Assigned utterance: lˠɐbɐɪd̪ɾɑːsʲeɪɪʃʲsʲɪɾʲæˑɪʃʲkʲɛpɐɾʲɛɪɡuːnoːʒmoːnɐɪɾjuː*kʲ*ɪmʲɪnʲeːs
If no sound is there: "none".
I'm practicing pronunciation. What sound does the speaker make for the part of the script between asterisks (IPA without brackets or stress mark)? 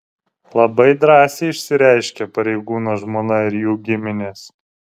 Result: ɡʲ